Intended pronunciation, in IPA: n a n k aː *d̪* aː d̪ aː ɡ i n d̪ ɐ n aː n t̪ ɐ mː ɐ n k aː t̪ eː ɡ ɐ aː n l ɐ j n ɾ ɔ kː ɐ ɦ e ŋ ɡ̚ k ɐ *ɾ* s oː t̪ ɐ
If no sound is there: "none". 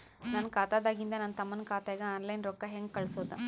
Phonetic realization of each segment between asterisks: t̪, ɭ

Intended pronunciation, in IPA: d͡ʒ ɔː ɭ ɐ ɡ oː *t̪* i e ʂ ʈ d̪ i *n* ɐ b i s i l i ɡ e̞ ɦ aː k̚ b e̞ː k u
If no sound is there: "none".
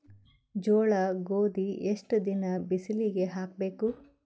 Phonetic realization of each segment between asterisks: d̪, n

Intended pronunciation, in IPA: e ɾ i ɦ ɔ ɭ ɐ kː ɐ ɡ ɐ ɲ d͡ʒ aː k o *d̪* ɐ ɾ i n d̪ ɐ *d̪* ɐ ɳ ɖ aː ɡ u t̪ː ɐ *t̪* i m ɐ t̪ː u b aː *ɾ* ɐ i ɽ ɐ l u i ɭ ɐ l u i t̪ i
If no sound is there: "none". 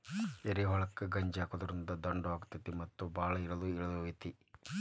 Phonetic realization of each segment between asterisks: d̪, d̪, t̪, ɭ

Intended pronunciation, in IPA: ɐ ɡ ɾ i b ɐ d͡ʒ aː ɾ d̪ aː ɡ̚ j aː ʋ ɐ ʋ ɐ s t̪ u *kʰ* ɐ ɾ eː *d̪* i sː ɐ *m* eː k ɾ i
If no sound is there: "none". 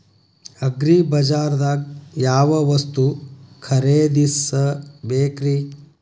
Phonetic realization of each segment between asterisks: kʰ, d̪, b

